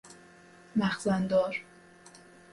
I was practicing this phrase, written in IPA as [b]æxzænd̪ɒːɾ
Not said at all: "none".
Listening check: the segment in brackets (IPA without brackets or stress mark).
m